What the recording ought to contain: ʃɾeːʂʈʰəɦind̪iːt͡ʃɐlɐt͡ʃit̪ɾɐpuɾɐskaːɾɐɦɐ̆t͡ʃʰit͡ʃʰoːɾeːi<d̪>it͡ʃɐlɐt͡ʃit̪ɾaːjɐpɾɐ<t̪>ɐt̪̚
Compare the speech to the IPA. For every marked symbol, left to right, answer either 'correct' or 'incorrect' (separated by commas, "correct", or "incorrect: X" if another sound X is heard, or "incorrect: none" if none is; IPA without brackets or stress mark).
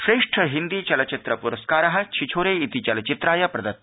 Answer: incorrect: t̪, incorrect: d̪